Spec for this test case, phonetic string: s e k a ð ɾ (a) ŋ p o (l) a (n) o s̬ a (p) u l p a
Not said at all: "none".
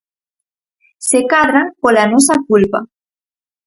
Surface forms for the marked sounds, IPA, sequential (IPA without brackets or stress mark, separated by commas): a, l, n, k